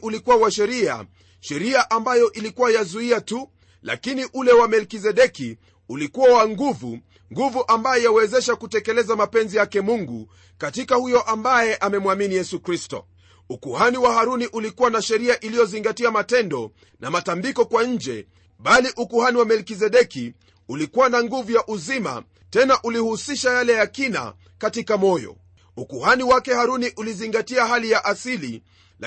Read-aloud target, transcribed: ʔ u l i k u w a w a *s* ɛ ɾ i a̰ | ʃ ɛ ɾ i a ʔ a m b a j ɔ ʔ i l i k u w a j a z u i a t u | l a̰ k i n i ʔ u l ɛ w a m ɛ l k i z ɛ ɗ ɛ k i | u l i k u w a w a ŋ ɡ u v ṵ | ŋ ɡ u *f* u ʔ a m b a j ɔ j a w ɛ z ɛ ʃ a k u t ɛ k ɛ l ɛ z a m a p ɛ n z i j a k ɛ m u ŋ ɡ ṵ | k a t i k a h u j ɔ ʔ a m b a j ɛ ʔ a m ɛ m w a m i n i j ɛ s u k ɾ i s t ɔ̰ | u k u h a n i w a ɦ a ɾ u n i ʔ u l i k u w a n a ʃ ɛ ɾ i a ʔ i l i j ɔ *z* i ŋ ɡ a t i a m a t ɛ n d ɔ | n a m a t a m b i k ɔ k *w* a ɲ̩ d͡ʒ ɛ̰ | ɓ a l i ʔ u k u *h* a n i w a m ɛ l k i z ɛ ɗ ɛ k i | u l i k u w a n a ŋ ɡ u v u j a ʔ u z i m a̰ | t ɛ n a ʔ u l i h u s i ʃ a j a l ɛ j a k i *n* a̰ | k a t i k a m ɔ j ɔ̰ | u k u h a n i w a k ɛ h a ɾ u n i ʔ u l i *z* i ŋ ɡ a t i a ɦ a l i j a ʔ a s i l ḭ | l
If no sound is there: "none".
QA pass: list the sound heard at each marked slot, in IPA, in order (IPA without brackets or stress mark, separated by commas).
ʃ, v, z, w, h, n, z